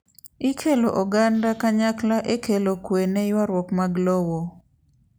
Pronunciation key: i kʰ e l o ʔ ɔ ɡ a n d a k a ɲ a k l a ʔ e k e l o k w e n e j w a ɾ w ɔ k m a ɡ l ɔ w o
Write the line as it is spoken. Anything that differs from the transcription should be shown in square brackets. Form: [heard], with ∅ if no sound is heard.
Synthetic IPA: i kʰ e l o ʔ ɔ ɡ a n d a k a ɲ a k l a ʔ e k e l o k w e n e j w a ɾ w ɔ k m a ɡ l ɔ w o